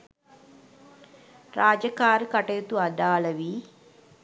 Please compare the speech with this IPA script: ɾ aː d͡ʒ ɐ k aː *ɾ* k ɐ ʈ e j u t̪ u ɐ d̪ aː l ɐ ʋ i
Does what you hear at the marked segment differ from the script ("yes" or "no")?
no